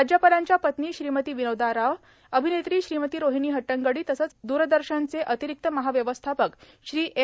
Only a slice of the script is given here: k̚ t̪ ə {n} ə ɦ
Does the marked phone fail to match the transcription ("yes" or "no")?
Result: yes